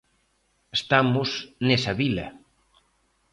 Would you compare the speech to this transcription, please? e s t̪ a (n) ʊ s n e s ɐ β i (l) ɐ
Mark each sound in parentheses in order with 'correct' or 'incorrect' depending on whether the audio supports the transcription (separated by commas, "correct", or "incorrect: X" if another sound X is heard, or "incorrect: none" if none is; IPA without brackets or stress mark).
incorrect: m, correct